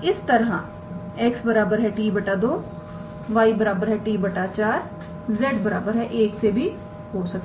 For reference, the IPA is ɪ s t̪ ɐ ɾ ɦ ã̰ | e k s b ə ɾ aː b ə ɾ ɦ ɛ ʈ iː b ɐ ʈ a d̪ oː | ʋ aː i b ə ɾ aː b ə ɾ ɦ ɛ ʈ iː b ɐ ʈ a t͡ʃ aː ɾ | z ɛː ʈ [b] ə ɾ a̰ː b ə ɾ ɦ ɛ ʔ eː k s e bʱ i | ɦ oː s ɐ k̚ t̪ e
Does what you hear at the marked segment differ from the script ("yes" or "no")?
no